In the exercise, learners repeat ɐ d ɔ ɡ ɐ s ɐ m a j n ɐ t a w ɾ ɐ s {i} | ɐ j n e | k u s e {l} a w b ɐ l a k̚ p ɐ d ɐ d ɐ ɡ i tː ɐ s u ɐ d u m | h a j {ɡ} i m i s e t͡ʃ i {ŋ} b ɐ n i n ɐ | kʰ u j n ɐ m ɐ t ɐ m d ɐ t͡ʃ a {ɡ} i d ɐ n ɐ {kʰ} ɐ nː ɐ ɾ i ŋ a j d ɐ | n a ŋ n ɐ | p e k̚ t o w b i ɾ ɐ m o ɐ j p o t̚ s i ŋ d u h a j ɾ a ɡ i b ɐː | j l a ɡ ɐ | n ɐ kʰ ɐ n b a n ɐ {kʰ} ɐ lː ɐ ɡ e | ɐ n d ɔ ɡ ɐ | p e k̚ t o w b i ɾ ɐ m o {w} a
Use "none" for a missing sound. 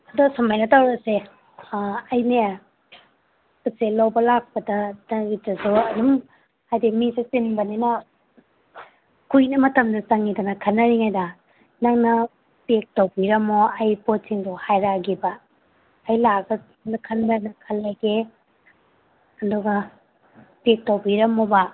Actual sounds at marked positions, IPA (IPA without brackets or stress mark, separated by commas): e, l, d, n, ŋ, kʰ, kʰ, b